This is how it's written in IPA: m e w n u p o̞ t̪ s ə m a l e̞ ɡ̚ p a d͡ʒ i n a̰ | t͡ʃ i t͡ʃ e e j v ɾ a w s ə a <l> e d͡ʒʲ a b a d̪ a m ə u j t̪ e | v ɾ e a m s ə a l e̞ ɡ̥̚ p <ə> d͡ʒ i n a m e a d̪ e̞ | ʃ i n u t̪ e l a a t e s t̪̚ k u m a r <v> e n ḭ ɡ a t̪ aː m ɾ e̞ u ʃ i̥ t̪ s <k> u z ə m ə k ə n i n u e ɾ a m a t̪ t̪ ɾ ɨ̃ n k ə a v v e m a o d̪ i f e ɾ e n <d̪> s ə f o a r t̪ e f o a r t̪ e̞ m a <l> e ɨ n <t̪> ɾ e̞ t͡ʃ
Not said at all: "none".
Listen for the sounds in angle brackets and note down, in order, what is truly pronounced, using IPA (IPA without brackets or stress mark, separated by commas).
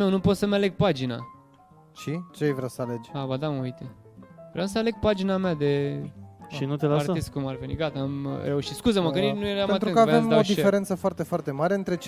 l, a, v, k, t̪, ɾ, t̪